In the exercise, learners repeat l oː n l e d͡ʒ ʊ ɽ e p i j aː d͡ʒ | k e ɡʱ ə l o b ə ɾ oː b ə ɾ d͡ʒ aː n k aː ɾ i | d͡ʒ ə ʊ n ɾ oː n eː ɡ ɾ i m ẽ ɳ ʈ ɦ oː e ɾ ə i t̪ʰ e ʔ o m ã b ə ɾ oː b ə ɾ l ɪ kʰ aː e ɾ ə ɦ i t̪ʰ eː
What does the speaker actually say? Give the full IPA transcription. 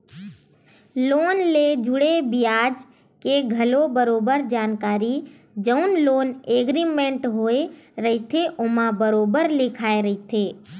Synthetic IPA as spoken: l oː n l e d͡ʒ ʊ ɽ e b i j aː d͡ʒ | k e ɡʱ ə l o b ə ɾ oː b ə ɾ d͡ʒ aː n k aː ɾ i | d͡ʒ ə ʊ n l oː n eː ɡ ɾ i m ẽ ɳ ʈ ɦ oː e ɾ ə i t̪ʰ e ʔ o m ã b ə ɾ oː b ə ɾ l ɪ kʰ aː e ɾ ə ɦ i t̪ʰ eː